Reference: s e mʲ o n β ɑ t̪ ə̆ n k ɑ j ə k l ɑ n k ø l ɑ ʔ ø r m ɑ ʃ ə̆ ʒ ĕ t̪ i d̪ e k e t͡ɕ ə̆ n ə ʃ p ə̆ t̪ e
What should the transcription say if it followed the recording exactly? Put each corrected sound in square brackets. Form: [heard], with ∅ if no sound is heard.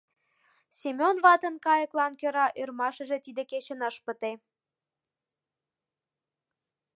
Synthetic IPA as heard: s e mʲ o n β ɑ t̪ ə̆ n k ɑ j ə k l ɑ n k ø [ɾ] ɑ ʔ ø r m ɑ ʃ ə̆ ʒ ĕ t̪ i d̪ e k e t͡ɕ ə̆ n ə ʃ p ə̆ t̪ e

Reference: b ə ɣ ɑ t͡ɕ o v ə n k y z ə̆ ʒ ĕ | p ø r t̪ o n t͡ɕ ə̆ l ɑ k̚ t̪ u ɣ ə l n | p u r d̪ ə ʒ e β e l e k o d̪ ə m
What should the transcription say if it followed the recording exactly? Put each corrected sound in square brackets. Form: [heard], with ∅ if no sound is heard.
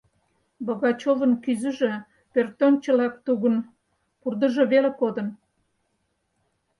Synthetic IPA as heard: b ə ɣ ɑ t͡ɕ o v ə n k y z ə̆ ʒ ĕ | p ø r t̪ o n t͡ɕ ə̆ l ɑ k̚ t̪ u ɣ ə [∅] n | p u r d̪ ə ʒ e β e l e k o d̪ ə [n]

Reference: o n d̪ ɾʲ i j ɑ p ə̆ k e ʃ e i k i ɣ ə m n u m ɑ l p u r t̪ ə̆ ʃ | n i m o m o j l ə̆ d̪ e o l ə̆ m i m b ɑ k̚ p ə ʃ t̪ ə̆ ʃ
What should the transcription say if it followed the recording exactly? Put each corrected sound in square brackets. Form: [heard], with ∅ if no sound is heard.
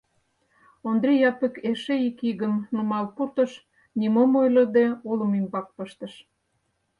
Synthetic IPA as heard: o n d̪ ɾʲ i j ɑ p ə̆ k e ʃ e i k i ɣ ə m n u m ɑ l p u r t̪ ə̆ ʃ | n i m o m o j l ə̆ d̪ e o l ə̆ m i m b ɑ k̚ p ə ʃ t̪ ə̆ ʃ

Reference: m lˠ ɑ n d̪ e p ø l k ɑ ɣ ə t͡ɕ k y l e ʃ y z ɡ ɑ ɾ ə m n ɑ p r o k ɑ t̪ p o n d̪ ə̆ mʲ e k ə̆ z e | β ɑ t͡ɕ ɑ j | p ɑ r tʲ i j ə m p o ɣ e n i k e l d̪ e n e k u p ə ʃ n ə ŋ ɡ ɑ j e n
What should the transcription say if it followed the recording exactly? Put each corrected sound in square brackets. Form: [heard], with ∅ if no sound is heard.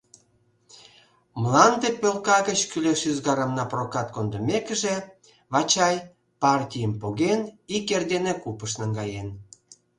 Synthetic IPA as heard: m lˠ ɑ n d̪ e p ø l k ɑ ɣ ə t͡ɕ k y l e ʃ y z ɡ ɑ ɾ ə m n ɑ p r o k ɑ t̪ [k] o n d̪ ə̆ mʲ e k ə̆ [ʒ] e | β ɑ t͡ɕ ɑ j | p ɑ r tʲ i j ə m p o ɣ e n i k e [r] d̪ e n e k u p ə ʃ n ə ŋ ɡ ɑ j e n

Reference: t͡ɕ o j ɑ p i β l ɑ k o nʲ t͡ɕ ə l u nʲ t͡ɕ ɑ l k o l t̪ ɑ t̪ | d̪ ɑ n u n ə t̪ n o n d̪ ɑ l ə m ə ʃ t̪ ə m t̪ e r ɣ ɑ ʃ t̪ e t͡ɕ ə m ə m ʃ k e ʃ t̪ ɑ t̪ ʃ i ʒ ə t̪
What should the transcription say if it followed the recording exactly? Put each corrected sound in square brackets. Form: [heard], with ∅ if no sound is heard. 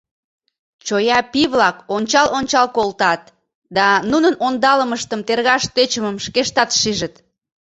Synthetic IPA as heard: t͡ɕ o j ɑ p i β l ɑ k o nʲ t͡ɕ [ɑ] l [o] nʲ t͡ɕ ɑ l k o l t̪ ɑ t̪ | d̪ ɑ n u n ə [∅] n o n d̪ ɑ l ə m ə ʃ t̪ ə m t̪ e r ɣ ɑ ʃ t̪ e t͡ɕ ə m ə m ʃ k e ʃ t̪ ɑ t̪ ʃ i ʒ ə t̪

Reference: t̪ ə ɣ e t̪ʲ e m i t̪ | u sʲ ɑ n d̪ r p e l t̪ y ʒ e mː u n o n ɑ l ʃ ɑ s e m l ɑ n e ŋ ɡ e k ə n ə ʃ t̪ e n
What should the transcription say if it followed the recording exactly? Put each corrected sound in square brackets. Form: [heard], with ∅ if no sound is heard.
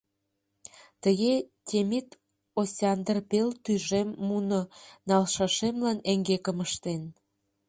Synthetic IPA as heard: t̪ ə ɣ e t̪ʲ e m i t̪ | [o] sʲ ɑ n d̪ r p e l t̪ y ʒ e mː u n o n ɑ l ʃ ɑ [ʃ] e m l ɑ n e ŋ ɡ e k ə [m] ə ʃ t̪ e n

